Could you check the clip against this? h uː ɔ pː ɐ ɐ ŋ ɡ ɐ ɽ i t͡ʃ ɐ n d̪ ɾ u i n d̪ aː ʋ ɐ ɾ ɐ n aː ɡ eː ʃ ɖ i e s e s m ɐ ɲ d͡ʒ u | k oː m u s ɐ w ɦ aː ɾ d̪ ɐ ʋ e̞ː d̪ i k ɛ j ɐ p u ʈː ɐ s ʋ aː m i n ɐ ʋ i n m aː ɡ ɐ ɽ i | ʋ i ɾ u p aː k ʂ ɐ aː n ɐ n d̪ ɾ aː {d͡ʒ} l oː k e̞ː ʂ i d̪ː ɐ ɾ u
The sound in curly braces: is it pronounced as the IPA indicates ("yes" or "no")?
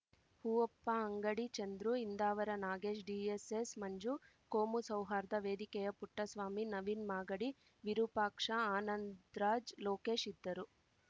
yes